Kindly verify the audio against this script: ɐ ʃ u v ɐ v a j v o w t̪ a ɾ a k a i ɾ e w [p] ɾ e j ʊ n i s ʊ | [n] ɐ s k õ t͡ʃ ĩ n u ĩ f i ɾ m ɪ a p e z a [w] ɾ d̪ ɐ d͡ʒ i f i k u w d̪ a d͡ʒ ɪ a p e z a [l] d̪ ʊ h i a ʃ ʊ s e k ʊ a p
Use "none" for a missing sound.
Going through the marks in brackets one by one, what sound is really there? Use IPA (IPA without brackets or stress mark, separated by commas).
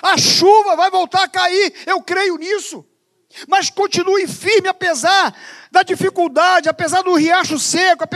k, m, none, ɾ